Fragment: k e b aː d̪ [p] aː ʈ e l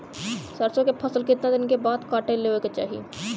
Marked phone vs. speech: incorrect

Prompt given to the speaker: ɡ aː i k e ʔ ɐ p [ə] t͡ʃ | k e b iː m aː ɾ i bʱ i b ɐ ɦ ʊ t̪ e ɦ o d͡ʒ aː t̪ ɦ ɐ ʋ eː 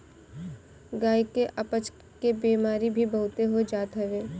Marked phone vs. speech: correct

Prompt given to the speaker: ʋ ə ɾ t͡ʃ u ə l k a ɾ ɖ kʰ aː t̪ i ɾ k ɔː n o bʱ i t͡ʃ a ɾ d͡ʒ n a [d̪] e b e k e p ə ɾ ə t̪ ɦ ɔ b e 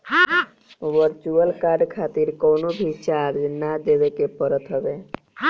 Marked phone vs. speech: correct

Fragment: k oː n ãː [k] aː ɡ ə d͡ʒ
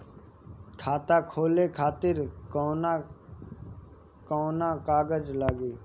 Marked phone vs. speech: correct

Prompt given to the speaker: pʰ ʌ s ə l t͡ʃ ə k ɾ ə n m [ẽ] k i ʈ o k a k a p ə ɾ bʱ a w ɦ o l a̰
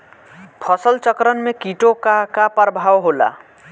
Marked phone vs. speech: incorrect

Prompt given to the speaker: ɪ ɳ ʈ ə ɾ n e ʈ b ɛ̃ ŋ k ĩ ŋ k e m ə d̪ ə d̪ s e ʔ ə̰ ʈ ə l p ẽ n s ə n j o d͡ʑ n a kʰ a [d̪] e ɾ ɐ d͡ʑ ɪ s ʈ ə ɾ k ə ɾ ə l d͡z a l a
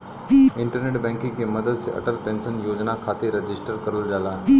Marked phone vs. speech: incorrect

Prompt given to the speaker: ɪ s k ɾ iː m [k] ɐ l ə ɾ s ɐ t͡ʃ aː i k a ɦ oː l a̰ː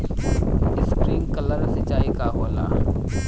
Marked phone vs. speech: correct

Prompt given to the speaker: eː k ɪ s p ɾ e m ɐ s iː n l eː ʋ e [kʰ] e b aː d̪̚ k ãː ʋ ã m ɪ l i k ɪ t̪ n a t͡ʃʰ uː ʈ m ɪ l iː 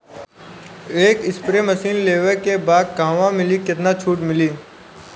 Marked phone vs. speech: incorrect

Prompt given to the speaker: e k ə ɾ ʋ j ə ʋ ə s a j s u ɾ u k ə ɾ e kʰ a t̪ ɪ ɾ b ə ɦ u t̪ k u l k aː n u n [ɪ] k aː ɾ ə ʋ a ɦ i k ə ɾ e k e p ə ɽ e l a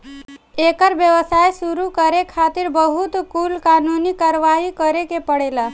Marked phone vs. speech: incorrect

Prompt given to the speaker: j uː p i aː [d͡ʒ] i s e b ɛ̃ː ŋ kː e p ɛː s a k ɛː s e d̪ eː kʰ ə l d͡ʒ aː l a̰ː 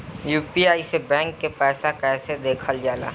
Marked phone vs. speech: incorrect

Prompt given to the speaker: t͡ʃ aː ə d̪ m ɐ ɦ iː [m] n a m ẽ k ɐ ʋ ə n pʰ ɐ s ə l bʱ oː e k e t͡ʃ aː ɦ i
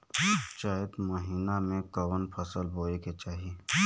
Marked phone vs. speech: incorrect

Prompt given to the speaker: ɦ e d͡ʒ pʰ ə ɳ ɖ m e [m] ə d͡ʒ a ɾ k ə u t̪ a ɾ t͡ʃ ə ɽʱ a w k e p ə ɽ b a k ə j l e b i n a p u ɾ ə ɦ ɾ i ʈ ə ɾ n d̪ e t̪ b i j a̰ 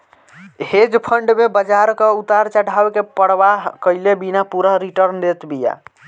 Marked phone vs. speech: incorrect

